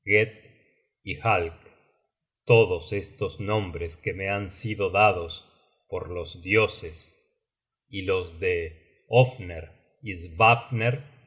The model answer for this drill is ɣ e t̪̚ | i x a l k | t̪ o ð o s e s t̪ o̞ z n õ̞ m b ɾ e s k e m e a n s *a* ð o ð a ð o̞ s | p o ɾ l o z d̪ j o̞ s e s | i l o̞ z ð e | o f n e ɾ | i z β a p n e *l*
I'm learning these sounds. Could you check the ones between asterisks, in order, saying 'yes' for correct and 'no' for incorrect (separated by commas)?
no, no